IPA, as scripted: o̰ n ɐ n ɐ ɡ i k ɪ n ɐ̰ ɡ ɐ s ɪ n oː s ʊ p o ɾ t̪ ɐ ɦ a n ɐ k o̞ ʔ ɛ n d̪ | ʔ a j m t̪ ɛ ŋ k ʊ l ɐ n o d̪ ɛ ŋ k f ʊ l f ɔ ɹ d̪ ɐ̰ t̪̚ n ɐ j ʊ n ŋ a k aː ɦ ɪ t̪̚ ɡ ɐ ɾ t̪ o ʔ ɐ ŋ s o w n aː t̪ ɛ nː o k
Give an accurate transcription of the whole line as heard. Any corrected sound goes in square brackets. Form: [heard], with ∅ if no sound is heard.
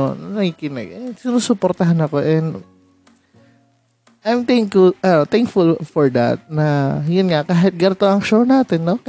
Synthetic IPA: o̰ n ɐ n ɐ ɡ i k ɪ n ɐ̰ ɡ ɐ s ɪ n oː s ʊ p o ɾ t̪ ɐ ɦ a n ɐ k o̞ ʔ ɛ n d̪ | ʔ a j m t̪ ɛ ŋ k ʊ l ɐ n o [t̪] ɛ ŋ k f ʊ l f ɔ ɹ d̪ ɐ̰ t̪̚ n ɐ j ʊ n ŋ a k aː ɦ ɪ t̪̚ ɡ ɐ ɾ t̪ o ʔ ɐ ŋ [ʃ] o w n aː t̪ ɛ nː o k